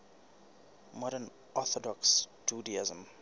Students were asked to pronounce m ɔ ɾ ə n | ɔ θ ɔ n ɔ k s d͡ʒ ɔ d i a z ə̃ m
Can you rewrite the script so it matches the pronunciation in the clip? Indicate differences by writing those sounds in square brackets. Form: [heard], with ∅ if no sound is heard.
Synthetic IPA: m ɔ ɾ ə n | ɔ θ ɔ [d] ɔ k s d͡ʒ [u] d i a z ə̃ m